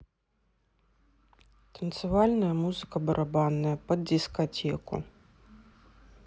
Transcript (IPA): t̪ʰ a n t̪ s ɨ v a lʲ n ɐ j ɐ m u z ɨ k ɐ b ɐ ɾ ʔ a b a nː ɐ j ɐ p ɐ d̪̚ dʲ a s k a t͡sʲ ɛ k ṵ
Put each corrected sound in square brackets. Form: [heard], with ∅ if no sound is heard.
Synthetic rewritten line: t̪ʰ [ɐ] n t̪ s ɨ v a lʲ n ɐ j ɐ m u z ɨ k ɐ b ɐ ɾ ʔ a b a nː ɐ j ɐ p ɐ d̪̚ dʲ [i] s k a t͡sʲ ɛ k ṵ